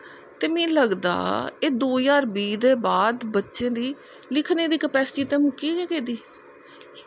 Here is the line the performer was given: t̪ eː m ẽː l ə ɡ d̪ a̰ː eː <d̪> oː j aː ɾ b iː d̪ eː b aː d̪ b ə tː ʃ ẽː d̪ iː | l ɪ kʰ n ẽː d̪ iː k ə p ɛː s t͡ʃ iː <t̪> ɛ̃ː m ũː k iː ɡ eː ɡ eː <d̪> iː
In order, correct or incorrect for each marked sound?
correct, correct, correct

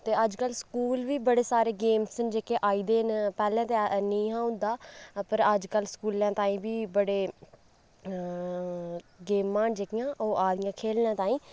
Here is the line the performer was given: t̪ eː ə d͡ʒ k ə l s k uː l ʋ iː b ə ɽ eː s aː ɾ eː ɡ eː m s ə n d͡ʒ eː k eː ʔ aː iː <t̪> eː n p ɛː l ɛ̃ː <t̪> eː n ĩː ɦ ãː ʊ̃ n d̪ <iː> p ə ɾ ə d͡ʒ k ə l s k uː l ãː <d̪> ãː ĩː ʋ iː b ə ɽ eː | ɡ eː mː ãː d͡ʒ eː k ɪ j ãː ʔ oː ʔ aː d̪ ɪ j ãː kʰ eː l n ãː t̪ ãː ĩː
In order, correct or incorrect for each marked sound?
incorrect: d̪, correct, incorrect: aː, incorrect: t̪

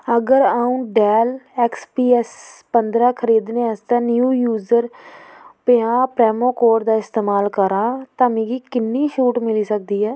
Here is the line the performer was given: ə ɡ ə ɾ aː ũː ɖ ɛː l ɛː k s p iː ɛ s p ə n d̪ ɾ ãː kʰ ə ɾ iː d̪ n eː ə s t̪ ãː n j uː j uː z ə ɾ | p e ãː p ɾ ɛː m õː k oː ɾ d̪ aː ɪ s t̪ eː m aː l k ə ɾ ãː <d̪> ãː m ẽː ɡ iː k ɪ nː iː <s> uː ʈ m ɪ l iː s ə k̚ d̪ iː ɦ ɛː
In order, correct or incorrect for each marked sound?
incorrect: t̪, incorrect: ʃ

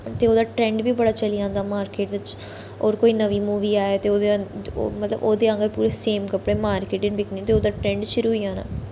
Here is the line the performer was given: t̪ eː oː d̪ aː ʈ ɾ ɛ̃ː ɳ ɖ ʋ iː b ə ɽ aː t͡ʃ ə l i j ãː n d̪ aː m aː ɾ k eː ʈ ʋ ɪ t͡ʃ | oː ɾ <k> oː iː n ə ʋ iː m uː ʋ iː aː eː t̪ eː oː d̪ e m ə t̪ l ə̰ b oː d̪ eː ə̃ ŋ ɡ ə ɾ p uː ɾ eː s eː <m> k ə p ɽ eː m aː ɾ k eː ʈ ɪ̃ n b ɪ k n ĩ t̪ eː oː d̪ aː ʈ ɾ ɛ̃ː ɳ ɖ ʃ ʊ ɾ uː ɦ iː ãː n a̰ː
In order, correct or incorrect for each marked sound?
correct, correct

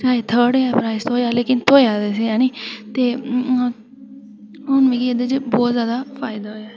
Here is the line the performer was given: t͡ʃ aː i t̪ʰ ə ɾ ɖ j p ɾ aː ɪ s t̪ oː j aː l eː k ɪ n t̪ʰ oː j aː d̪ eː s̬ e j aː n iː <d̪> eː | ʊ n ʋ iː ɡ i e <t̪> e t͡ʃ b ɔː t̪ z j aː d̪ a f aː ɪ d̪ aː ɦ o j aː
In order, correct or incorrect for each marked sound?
incorrect: t̪, incorrect: d̪

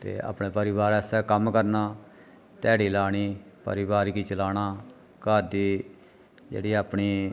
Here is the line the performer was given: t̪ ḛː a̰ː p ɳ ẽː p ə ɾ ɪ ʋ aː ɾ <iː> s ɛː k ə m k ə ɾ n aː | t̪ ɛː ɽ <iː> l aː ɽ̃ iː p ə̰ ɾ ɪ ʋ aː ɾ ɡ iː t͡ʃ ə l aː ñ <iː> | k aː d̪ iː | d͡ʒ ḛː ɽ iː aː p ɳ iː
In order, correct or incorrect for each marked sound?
incorrect: ɛː, correct, incorrect: aː

